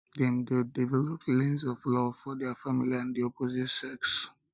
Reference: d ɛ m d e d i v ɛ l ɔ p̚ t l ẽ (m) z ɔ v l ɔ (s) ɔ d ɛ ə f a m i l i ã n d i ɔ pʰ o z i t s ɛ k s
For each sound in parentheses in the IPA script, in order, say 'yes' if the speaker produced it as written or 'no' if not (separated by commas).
no, no